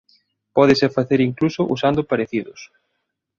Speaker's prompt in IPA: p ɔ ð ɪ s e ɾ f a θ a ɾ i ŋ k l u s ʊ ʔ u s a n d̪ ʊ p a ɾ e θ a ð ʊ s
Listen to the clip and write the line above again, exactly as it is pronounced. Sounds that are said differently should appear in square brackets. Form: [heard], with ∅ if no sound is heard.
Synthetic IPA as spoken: p ɔ ð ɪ s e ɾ f a θ [e] ɾ i ŋ k l u s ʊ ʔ u s a n d̪ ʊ p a ɾ e θ [i] ð ʊ s